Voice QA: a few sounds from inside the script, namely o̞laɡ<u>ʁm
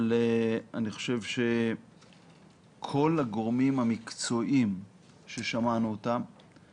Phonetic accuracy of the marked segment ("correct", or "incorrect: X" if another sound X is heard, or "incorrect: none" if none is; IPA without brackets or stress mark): incorrect: o